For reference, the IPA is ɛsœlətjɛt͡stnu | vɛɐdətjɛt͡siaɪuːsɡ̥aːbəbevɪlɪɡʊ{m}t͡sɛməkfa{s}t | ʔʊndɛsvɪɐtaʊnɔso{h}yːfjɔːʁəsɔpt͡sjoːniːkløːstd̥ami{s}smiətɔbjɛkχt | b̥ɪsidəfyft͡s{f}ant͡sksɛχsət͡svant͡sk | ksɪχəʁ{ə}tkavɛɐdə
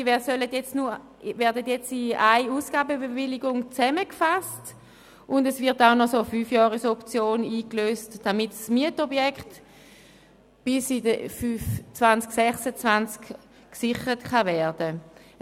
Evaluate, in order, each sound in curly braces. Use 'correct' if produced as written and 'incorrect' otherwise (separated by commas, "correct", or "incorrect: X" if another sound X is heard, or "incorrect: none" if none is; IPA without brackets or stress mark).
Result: incorrect: ŋ, correct, incorrect: f, incorrect: t, incorrect: v, correct